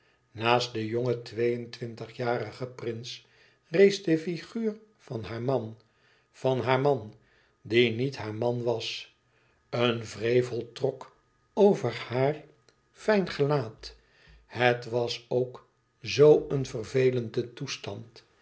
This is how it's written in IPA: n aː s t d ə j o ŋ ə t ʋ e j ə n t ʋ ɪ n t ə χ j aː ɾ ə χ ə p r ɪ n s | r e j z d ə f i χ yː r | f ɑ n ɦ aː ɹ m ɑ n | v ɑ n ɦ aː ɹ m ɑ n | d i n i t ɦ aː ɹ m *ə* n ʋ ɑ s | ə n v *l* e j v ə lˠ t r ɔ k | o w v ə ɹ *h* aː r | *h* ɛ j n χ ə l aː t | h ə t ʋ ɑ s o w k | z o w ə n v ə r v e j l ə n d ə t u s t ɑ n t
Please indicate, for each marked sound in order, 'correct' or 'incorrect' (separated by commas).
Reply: incorrect, incorrect, correct, incorrect